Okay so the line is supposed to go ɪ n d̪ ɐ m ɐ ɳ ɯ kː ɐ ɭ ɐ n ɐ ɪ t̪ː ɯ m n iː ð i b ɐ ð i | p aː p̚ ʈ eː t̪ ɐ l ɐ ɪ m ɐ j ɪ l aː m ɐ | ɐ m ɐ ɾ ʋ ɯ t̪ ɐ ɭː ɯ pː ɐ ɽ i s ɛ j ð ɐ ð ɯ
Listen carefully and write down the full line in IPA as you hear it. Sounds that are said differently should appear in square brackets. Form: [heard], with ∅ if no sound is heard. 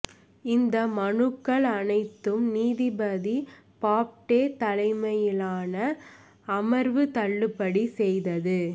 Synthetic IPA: ɪ n d̪ ɐ m ɐ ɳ ɯ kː ɐ ɭ ɐ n ɐ ɪ t̪ː ɯ m n iː ð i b ɐ ð i | p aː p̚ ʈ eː t̪ ɐ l ɐ ɪ m ɐ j ɪ l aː [n] ɐ | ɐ m ɐ ɾ ʋ ɯ t̪ ɐ ɭː ɯ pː ɐ ɽ i s ɛ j ð ɐ ð ɯ